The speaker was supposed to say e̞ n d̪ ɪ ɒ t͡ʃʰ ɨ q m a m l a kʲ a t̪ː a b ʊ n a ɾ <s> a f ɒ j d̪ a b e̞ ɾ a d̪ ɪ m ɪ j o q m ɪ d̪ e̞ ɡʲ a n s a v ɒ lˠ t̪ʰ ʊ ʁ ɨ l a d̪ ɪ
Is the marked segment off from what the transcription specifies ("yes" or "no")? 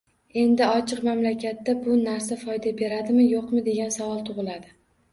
no